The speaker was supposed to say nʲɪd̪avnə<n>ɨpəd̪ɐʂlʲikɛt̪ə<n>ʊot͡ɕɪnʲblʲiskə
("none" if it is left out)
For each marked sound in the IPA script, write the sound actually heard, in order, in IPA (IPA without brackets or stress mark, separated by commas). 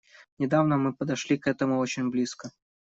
m, m